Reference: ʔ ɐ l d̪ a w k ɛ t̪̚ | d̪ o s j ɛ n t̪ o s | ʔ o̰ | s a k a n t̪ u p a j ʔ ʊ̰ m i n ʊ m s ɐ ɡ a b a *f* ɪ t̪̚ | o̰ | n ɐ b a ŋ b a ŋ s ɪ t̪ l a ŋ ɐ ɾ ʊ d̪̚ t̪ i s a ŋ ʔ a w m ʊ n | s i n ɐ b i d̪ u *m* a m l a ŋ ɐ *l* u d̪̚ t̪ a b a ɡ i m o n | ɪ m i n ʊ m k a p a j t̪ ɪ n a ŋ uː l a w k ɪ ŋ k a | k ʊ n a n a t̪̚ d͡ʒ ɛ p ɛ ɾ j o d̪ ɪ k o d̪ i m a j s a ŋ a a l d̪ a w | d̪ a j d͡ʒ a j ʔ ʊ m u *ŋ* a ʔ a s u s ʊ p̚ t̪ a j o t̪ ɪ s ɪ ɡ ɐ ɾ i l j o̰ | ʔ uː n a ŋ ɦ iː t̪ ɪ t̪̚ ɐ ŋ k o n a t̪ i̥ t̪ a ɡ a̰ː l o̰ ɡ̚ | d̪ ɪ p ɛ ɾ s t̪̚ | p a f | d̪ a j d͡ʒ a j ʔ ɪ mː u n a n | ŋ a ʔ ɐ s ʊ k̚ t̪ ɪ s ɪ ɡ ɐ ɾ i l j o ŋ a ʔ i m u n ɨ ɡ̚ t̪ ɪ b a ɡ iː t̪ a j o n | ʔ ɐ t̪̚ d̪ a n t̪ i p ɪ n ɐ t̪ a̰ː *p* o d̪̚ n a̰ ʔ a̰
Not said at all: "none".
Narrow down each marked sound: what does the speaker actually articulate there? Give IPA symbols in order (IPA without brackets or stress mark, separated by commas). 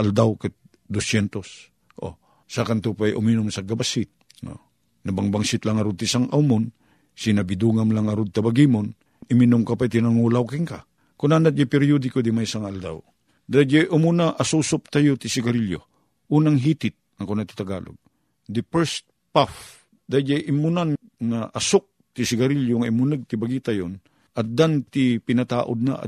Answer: s, ŋ, ɾ, n, ʔ